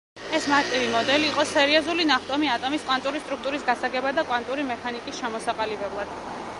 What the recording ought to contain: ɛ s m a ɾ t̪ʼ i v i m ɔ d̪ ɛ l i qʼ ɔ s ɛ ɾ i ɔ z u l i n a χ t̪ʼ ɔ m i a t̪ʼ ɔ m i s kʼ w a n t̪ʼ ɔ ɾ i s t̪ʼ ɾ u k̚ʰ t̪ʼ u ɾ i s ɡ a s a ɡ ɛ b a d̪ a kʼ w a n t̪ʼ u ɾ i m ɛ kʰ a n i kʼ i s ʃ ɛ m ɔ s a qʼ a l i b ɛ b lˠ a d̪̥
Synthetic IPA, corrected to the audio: ɛ s m a ɾ t̪ʼ i v i m ɔ d̪ ɛ l iː qʼ ɔ s ɛ ɾ i ɔ z u l i n a χ t̪ʼ ɔ m i a t̪ʼ ɔ m i s kʼ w a n t̪ʼ u ɾ i s t̪ʼ ɾ u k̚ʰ t̪ʼ u ɾ i s ɡ a s a ɡ ɛ b a d̪ a kʼ w a n t̪ʼ u ɾ i m ɛ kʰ a n i kʼ i s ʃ ɛ m ɔ s a qʼ a l i b ɛ b lˠ a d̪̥